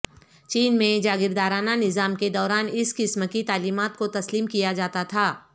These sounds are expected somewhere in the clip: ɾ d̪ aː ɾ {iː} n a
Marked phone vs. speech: incorrect: aː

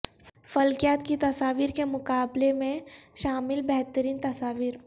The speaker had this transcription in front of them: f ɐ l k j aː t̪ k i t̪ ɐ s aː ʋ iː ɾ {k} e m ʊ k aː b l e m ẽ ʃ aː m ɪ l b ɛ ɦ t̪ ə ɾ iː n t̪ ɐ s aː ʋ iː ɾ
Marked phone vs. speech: correct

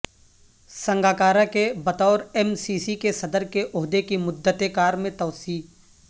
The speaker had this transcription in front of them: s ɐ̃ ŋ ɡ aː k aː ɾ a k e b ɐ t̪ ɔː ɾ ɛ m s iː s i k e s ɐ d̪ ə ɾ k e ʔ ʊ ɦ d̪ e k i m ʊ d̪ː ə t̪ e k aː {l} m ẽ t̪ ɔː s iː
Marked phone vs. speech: incorrect: ɾ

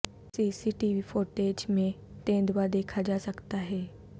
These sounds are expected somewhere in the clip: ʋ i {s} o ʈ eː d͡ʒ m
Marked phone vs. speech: incorrect: f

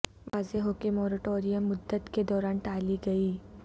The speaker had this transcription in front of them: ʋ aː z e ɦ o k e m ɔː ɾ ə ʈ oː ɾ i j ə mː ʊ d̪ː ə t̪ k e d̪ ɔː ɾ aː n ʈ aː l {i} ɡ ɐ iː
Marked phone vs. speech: correct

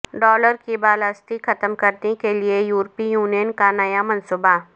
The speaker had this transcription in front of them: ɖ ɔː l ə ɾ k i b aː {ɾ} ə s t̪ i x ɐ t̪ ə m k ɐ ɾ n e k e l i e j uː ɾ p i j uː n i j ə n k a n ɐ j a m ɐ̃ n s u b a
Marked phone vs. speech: incorrect: l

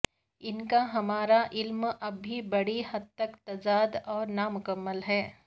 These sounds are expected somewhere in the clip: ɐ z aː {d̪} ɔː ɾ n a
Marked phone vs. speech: correct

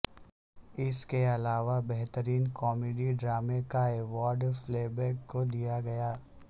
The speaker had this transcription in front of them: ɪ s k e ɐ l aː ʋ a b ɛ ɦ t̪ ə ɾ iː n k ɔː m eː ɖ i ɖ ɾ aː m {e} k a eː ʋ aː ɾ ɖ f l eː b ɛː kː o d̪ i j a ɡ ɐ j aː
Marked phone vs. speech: correct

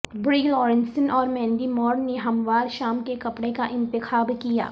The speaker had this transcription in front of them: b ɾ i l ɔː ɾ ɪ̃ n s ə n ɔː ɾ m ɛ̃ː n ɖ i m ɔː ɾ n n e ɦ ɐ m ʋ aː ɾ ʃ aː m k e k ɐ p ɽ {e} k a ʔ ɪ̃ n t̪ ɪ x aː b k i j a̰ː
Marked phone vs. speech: correct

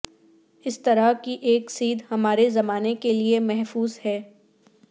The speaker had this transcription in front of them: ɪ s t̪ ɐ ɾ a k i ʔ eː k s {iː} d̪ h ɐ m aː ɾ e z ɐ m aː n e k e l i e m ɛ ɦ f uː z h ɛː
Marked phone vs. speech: correct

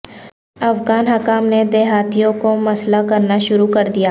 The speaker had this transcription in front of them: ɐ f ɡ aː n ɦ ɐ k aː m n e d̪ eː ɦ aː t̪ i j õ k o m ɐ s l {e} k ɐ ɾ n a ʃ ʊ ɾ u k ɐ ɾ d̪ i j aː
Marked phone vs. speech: incorrect: a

